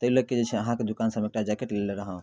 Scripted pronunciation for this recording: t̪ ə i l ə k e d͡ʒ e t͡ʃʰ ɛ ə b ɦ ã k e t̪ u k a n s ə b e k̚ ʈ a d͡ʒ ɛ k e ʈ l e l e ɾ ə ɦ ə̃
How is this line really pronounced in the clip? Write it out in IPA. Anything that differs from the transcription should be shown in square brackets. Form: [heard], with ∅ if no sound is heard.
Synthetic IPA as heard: t̪ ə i l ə k e d͡ʒ e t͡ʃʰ ɛ ə [∅] ɦ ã k e [d̪] u k a n s ə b e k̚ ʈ a d͡ʒ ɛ k e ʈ l e l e ɾ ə ɦ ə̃